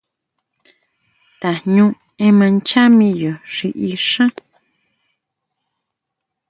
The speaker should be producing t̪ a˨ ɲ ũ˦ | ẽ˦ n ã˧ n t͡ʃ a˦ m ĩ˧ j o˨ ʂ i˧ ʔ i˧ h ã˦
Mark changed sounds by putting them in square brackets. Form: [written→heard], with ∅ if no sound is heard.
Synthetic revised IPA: t̪ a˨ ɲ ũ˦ | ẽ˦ [n→m] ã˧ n t͡ʃ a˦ m ĩ˧ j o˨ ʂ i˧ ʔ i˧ [h→ʂ] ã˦

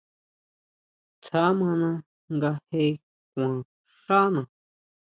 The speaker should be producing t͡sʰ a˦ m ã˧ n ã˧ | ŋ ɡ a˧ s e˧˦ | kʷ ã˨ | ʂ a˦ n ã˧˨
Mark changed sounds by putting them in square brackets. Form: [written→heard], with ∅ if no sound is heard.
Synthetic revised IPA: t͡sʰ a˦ m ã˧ n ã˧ | ŋ ɡ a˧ [s→h] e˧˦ | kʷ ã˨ | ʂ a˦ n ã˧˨

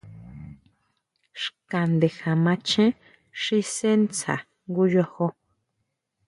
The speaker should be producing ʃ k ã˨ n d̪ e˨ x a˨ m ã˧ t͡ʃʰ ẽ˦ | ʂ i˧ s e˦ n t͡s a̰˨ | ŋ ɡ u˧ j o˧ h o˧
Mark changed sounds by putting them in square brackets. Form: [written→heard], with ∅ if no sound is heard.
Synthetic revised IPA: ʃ k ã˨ n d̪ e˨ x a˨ m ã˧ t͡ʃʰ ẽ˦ | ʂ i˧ s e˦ n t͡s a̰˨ | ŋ ɡ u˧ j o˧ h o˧

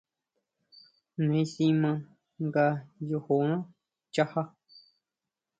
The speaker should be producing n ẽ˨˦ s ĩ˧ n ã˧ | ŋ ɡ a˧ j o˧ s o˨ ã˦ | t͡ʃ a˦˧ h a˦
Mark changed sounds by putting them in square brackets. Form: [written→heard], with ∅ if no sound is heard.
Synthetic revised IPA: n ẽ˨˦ s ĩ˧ [n→m] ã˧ | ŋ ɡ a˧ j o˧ [s→h] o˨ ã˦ | t͡ʃ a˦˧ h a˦

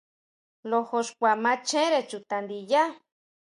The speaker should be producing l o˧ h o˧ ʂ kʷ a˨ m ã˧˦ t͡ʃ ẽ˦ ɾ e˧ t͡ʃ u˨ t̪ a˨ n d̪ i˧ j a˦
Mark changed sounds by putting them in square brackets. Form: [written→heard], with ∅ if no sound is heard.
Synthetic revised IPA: l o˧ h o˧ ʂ kʷ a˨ m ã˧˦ t͡ʃ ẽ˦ ɾ e˧ t͡ʃ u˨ t̪ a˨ n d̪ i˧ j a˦

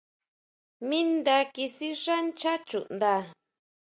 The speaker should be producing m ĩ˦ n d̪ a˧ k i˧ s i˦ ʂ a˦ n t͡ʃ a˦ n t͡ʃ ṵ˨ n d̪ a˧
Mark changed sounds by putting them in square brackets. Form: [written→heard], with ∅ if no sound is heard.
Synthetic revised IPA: m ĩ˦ n d̪ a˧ k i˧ s i˦ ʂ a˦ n t͡ʃ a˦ [n→∅] t͡ʃ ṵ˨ n d̪ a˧

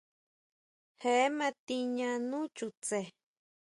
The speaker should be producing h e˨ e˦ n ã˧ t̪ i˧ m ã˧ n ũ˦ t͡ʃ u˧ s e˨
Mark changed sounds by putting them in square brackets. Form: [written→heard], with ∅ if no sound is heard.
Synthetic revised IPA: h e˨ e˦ [n→m] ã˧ t̪ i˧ [m→ɲ] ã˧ n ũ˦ t͡ʃ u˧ [s→t͡s] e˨

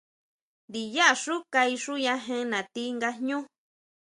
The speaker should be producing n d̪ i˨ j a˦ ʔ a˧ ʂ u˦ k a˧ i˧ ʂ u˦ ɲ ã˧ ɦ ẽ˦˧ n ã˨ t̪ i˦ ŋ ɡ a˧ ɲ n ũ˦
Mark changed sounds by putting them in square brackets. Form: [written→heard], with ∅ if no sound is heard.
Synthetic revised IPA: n d̪ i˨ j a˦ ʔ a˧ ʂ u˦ k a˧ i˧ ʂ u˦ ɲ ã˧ ɦ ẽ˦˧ n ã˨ t̪ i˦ ŋ ɡ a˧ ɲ [n→ɲ] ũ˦

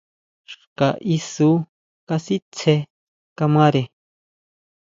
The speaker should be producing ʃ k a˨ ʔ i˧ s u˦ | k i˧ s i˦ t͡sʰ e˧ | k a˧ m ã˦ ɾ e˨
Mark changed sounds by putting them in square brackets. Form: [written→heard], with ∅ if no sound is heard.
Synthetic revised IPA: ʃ k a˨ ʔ i˧ s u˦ | k [i˧→a˧] s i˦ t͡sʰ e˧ | k a˧ m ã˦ ɾ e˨

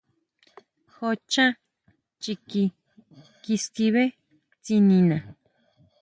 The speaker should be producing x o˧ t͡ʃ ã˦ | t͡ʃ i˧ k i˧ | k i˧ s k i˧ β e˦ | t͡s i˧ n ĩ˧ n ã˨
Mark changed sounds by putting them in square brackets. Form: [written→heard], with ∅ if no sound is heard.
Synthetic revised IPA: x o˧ t͡ʃ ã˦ | t͡ʃ i˧ k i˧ | k i˧ s k i˧ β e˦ | t͡s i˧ n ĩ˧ n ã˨

